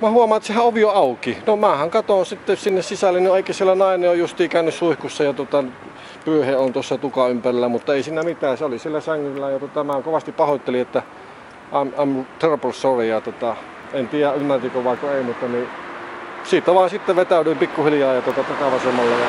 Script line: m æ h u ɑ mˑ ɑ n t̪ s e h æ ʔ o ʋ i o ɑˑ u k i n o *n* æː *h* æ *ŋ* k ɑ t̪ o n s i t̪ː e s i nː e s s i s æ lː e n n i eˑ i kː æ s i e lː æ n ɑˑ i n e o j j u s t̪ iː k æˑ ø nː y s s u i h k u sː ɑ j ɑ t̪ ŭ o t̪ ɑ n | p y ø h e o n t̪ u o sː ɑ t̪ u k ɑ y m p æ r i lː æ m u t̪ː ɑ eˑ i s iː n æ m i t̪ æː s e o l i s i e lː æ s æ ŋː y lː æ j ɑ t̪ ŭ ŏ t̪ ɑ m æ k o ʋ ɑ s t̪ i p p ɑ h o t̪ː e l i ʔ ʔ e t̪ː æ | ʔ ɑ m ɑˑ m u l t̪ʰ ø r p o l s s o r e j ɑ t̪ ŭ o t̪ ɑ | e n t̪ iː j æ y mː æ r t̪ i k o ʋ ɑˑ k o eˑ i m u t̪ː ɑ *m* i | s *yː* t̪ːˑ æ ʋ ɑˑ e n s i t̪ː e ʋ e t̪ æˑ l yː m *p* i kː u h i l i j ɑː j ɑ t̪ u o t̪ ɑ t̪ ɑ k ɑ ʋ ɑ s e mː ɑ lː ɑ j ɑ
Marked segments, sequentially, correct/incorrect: incorrect, correct, correct, incorrect, incorrect, correct

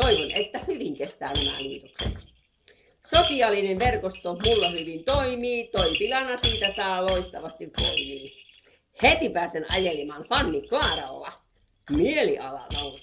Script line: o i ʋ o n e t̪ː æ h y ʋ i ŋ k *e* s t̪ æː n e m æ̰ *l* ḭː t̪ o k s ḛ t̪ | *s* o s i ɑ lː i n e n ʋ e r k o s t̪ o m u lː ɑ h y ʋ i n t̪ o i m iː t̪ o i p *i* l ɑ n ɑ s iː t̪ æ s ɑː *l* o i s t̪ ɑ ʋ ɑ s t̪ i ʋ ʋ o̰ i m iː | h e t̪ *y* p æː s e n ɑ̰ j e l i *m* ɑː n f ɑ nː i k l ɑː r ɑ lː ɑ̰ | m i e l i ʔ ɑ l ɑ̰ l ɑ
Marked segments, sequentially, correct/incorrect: correct, correct, correct, correct, correct, incorrect, correct

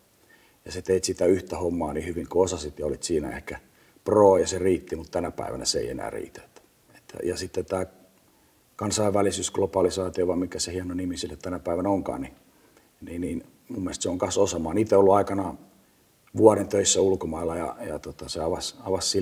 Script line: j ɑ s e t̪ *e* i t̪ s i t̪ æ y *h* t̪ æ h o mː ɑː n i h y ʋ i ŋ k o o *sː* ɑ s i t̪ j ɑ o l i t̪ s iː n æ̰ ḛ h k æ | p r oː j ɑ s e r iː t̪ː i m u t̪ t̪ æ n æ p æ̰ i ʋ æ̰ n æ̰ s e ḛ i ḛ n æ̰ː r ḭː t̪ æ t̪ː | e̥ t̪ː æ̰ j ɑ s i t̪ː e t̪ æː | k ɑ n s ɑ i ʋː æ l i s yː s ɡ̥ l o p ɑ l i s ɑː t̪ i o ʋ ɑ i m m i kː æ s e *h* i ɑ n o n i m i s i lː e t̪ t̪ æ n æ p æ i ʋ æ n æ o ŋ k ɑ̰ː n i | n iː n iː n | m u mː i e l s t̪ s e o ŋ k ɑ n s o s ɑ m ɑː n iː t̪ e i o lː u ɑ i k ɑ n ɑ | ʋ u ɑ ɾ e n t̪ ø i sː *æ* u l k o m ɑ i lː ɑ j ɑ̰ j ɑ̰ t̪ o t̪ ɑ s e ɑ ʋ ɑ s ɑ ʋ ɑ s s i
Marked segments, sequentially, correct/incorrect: correct, correct, incorrect, correct, correct

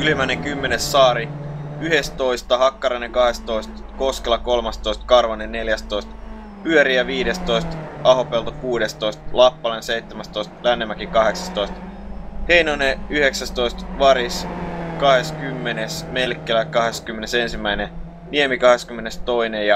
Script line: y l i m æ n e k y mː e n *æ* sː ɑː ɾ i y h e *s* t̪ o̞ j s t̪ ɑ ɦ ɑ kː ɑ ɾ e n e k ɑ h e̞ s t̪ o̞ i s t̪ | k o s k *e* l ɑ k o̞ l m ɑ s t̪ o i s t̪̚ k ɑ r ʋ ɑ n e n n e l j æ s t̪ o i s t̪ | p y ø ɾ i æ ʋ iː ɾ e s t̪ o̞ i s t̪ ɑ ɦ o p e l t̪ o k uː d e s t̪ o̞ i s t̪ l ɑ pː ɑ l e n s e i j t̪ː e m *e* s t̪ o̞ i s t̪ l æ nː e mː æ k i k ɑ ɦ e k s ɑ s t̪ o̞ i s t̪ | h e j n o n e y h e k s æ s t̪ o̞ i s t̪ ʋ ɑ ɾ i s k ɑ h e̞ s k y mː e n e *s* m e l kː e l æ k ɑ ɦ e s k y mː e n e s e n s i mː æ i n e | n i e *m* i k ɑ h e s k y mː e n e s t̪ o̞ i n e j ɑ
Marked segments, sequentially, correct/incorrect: incorrect, correct, correct, incorrect, correct, correct

